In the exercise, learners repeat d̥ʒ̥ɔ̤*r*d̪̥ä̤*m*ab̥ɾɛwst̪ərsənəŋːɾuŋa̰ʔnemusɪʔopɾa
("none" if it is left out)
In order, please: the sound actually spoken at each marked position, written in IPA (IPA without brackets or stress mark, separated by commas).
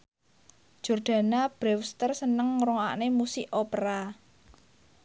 r, n